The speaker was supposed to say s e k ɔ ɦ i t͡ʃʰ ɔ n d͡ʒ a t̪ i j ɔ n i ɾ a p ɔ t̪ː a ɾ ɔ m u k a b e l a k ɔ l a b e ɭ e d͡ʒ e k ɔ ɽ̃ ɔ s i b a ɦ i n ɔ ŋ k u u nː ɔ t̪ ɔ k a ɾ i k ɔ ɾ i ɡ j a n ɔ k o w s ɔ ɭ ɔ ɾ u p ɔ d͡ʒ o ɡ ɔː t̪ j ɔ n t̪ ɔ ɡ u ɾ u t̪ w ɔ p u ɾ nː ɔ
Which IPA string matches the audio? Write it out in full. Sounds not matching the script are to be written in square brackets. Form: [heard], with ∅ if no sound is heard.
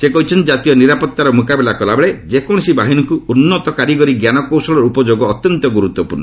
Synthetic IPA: s e k ɔ ɦ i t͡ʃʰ ɔ n d͡ʒ a t̪ i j ɔ n i ɾ a p ɔ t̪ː a ɾ ɔ m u k a b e l a k ɔ l a b e ɭ e d͡ʒ e k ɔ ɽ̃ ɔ s i b a ɦ i n ɔ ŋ k u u nː ɔ t̪ ɔ k a ɾ i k ɔ ɾ i ɡ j a n ɔ k o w s ɔ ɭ ɔ ɾ u p ɔ d͡ʒ o ɡ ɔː t̪ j ɔ n t̪ ɔ ɡ u ɾ u t̪ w ɔ p u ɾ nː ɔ